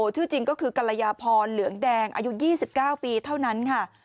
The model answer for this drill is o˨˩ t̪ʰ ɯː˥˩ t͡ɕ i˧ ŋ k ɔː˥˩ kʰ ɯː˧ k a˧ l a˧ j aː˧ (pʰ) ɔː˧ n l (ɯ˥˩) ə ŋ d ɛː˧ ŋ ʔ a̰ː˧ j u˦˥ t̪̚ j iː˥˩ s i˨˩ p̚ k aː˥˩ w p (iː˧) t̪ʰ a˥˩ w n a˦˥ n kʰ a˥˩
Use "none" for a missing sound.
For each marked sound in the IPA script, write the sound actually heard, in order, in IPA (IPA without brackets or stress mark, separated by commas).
pʰ, ɯ˩˦, iː˧